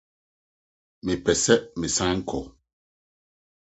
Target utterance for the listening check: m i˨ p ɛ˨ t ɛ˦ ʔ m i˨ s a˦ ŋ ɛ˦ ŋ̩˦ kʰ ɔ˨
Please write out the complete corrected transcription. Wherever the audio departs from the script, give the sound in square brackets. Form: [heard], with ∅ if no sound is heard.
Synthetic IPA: m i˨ p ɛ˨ [s] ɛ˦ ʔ m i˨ s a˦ ŋ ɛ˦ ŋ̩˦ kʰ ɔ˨